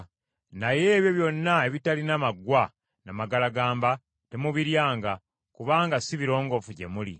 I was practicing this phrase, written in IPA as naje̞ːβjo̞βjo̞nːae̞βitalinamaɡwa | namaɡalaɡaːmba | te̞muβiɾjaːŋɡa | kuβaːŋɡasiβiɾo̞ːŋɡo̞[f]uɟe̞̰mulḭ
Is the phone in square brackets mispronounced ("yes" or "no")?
no